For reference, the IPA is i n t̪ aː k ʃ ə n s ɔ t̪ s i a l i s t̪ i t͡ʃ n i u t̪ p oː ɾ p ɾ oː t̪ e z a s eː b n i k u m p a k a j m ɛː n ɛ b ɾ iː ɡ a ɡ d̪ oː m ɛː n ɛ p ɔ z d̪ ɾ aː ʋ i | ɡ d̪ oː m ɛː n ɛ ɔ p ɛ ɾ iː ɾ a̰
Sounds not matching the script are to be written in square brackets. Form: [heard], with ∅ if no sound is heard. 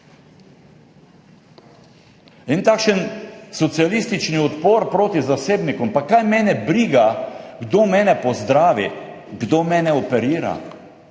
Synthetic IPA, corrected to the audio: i n t̪ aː k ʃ ə n s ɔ t̪ s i a l i s t̪ i t͡ʃ n i [ɔ] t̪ p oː ɾ p ɾ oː t̪ [i] z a s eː b n i k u m p a k a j m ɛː n ɛ b ɾ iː ɡ a ɡ d̪ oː m ɛː n ɛ p ɔ z d̪ ɾ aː ʋ i | ɡ d̪ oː m ɛː n ɛ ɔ p ɛ ɾ iː ɾ a̰

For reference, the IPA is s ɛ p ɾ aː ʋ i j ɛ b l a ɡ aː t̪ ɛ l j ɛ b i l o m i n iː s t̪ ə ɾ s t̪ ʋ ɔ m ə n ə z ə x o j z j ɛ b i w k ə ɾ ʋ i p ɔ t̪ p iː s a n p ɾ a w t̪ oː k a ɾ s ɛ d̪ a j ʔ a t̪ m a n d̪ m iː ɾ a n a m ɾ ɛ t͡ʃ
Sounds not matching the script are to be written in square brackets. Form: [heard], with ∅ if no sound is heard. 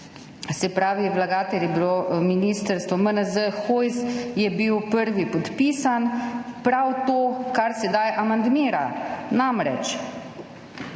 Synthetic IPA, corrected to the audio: s ɛ p ɾ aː ʋ i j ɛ b l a ɡ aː t̪ ɛ l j ɛ b i l o m i n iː s t̪ ə ɾ s t̪ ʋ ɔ m ə n ə z ə x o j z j ɛ b i w [p] ə ɾ ʋ i p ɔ t̪ p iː s a n p ɾ a w t̪ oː k a ɾ s ɛ d̪ a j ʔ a [∅] m a n d̪ m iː ɾ a n a m ɾ ɛ t͡ʃ

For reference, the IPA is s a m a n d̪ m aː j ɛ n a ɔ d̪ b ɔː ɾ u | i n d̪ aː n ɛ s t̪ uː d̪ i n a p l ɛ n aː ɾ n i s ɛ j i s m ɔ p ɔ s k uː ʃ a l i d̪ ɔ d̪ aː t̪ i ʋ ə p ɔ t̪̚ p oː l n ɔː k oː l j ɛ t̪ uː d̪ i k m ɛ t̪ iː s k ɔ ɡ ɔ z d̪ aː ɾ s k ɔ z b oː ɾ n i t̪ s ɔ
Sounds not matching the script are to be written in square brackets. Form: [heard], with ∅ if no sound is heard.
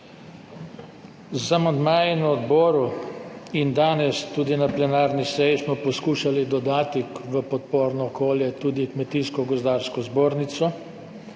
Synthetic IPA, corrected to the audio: [z] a m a n d̪ m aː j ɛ n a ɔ d̪ b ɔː ɾ u | i n d̪ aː n ɛ s t̪ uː d̪ i n a p l ɛ n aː ɾ n i s ɛ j i s m ɔ p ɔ s k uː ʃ a l i d̪ ɔ d̪ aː t̪ i ʋ ə p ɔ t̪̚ p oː [ɾ] n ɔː k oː l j ɛ t̪ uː d̪ i k m ɛ t̪ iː s k ɔ ɡ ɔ z d̪ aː ɾ s k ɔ z b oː ɾ n i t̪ s ɔ

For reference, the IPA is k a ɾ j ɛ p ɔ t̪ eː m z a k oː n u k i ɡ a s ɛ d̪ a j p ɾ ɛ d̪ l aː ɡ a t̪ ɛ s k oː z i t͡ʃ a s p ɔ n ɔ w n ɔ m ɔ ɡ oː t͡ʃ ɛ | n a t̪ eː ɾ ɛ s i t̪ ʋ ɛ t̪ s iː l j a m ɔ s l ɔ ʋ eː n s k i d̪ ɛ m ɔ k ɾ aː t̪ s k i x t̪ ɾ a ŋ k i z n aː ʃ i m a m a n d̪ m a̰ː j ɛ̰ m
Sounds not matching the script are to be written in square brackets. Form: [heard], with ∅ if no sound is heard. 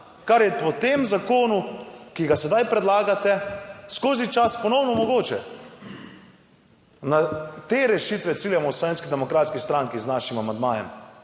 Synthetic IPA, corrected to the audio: k a ɾ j ɛ p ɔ t̪ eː m z a k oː n u k i ɡ a s ɛ d̪ a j p ɾ ɛ d̪ l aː ɡ a t̪ ɛ s k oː z i t͡ʃ a s p ɔ n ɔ w n ɔ m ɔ ɡ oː t͡ʃ ɛ | n a t̪ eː ɾ ɛ [ʃ] i t̪ ʋ ɛ t̪ s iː l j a m ɔ s l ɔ ʋ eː n s k i d̪ ɛ m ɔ k ɾ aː t̪ s k i [s] t̪ ɾ a ŋ k i z n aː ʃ i m a m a n d̪ m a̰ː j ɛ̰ m

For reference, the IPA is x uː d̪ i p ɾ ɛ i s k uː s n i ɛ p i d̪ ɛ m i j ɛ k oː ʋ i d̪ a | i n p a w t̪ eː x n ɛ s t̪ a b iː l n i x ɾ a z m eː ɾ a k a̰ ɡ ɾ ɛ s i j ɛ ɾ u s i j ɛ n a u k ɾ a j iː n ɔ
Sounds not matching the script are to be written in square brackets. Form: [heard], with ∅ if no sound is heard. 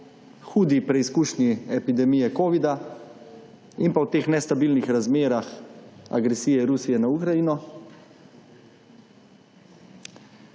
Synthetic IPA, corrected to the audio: x uː d̪ i p ɾ ɛ i s k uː [ʃ] n i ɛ p i d̪ ɛ m i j ɛ k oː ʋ i d̪ a | i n p a w t̪ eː x n ɛ s t̪ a b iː l n i x ɾ a z m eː ɾ a [x] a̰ ɡ ɾ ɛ s i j ɛ ɾ u s i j ɛ n a u k ɾ a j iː n ɔ

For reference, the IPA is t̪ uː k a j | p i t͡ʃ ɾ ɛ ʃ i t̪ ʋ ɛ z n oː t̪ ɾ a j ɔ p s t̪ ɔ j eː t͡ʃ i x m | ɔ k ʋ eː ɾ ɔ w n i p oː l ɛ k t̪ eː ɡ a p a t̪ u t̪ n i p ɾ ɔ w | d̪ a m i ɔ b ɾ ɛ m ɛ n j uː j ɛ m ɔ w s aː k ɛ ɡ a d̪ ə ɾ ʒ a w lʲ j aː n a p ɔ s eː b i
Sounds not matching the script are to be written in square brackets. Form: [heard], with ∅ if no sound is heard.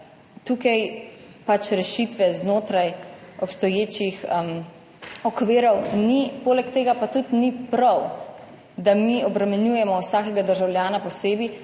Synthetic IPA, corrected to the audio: t̪ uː k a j | p [a] t͡ʃ ɾ ɛ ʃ i t̪ ʋ ɛ z n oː t̪ ɾ a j ɔ p s t̪ ɔ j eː t͡ʃ i x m | ɔ k ʋ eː ɾ ɔ w n i p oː l ɛ k t̪ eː ɡ a p a t̪ u t̪ n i p ɾ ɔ w | d̪ a m i ɔ b ɾ ɛ m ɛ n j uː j ɛ m ɔ w s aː k ɛ ɡ a d̪ ə ɾ ʒ a w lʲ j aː n a p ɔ s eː b i

